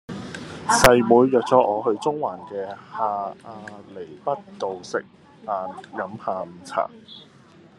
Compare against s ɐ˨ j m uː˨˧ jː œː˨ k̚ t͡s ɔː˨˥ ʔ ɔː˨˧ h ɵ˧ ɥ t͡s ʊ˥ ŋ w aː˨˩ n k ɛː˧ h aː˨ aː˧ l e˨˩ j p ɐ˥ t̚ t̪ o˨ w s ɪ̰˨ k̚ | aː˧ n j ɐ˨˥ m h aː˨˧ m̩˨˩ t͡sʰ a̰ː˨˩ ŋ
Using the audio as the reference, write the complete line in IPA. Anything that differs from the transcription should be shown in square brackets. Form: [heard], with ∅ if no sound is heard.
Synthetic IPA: s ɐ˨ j m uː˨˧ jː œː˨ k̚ t͡s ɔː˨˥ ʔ ɔː˨˧ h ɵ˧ ɥ t͡s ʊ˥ ŋ w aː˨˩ n k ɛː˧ h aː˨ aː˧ l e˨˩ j p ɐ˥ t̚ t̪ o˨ w s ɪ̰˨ k̚ | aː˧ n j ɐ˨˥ m h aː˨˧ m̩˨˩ t͡sʰ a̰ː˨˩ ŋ